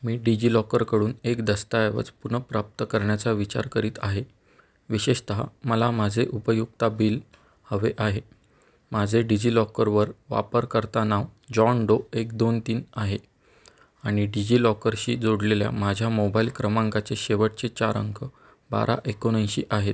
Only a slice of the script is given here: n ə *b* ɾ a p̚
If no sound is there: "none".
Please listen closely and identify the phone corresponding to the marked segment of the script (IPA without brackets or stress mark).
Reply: p